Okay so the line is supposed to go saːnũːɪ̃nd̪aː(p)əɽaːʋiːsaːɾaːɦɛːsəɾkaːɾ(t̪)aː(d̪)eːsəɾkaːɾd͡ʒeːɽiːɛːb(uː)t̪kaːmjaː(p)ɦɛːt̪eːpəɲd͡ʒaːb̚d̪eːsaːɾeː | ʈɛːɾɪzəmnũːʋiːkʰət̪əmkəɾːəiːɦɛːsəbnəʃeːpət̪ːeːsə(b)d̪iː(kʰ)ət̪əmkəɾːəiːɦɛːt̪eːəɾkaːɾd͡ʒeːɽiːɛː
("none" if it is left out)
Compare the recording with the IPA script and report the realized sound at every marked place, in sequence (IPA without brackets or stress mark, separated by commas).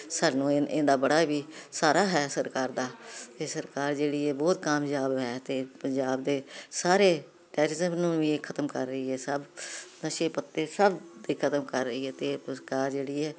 b, d̪, t̪, ɔː, b, b, kʰ